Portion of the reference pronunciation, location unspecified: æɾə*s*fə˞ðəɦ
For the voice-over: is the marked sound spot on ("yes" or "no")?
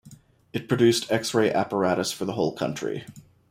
yes